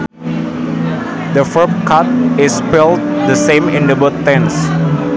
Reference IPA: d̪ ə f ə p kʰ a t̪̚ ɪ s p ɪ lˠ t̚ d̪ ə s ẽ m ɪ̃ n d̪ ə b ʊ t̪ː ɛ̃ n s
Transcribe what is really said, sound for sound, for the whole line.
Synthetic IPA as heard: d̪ ə f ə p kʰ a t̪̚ ɪ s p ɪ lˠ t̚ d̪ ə s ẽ m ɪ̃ n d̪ ə b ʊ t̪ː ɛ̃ n s